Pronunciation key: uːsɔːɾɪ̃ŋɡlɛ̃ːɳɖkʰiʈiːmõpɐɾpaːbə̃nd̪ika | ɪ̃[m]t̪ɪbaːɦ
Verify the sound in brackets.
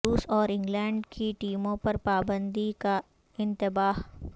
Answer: incorrect: n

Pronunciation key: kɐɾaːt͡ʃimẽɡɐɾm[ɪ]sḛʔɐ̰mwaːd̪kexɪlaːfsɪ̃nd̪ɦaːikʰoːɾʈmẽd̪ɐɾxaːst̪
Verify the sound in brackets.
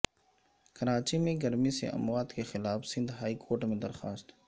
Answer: incorrect: i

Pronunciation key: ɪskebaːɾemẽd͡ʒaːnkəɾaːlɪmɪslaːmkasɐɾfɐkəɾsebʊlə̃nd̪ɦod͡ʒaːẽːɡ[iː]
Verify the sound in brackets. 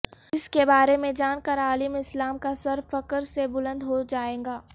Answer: incorrect: aː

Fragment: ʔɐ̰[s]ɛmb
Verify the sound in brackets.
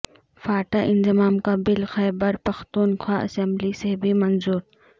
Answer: correct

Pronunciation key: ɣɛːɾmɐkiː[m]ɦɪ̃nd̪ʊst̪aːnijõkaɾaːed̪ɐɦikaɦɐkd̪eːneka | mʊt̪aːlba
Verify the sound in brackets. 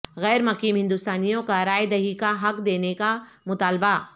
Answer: correct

